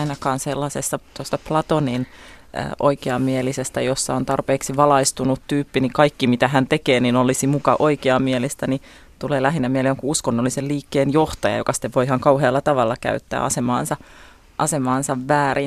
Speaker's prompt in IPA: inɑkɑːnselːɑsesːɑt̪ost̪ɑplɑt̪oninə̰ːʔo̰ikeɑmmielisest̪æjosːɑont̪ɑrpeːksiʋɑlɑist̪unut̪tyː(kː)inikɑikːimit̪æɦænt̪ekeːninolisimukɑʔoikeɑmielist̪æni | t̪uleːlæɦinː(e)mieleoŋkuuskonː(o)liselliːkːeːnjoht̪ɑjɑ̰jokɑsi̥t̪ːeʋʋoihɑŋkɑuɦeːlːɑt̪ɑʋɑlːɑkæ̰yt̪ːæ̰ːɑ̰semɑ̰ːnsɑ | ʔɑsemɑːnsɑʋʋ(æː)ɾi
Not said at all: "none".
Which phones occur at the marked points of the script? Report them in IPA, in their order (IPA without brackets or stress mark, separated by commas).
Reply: pː, æ, o, æː